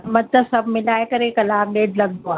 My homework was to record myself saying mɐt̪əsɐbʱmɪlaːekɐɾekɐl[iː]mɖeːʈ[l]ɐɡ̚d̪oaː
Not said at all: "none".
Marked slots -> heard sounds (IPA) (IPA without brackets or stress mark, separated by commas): aː, l